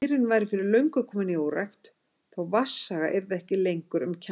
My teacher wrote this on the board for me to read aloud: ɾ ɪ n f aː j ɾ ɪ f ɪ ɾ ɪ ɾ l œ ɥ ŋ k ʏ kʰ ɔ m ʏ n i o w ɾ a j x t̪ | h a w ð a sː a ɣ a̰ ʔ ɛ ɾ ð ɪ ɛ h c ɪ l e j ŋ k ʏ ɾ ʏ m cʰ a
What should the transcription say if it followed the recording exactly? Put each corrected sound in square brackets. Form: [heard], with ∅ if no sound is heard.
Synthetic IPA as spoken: ɾ ɪ n [v] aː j ɾ ɪ f ɪ ɾ ɪ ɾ l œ ɥ ŋ k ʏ kʰ ɔ m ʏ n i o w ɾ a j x t̪ | [θ] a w [v] a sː a ɣ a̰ ʔ ɛ ɾ ð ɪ ɛ h c ɪ l e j ŋ k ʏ ɾ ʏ m cʰ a